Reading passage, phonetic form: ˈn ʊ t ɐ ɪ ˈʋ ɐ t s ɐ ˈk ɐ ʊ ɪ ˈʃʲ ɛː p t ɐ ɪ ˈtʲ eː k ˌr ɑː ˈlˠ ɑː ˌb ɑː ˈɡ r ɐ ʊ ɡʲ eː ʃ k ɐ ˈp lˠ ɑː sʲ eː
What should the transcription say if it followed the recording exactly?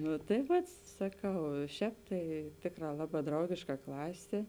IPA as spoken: ˈn ʊ t ɐ ɪ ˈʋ ɐ t s ɐ ˈk ɐ ʊ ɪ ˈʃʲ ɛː p t ɐ ɪ ˈtʲ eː k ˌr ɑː ˈlˠ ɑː ˌb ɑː ˈd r ɐ ʊ ɡʲ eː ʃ k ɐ ˈk lˠ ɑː sʲ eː